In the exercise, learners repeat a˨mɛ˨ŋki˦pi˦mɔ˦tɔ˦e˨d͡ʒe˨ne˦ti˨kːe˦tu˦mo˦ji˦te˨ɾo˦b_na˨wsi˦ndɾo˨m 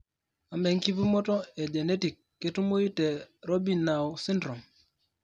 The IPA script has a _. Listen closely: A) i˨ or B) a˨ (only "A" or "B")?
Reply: A